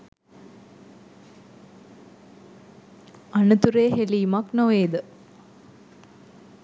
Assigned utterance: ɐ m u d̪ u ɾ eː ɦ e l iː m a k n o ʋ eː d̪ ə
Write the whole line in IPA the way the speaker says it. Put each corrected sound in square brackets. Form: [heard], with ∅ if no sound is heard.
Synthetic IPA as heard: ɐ [n] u [t̪] u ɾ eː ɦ e l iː m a k n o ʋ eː d̪ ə